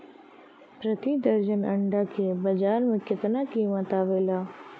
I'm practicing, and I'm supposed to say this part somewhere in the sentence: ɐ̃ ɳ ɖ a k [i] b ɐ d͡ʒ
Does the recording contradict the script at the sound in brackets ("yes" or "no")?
yes